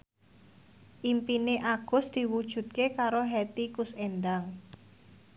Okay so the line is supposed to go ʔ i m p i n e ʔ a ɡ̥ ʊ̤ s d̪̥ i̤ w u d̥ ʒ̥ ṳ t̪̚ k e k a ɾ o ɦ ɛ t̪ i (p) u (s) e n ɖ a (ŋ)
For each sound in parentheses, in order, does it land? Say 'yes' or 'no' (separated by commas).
no, yes, yes